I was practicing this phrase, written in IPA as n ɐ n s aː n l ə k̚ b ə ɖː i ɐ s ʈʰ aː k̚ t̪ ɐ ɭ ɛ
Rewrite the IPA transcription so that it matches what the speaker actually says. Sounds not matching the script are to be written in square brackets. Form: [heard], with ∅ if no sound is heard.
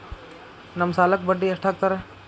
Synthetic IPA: n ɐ [m] s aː [∅] l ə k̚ b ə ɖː i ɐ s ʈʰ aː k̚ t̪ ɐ [ɾ] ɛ